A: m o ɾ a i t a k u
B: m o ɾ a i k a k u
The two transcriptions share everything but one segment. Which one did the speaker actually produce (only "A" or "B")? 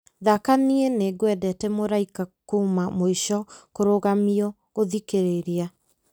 B